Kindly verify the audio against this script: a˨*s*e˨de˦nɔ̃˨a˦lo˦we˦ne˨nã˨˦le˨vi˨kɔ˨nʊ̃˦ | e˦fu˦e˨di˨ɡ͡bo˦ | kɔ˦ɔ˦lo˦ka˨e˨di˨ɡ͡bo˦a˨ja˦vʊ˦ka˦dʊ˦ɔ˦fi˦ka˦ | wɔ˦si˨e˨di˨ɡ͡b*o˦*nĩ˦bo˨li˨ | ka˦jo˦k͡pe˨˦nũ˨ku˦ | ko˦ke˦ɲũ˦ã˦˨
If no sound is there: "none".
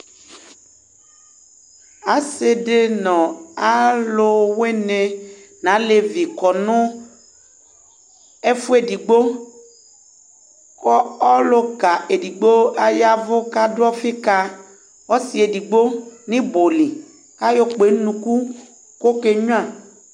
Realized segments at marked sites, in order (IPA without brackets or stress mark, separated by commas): s, o˦